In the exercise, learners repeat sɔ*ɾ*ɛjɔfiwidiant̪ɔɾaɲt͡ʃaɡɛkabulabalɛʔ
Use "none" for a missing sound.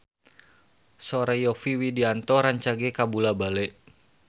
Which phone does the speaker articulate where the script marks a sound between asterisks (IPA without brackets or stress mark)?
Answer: ɾ